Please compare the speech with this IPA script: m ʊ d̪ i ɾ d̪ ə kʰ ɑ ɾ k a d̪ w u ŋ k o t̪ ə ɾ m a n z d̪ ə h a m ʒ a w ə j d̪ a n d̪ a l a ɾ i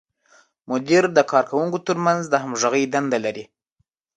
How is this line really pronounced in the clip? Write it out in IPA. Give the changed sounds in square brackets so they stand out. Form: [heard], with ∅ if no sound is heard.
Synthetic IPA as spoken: m ʊ d̪ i ɾ d̪ ə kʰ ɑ ɾ k a [∅] w u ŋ k o t̪ ə ɾ m a n z d̪ ə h a m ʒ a [ɣ] ə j d̪ a n d̪ a l a ɾ i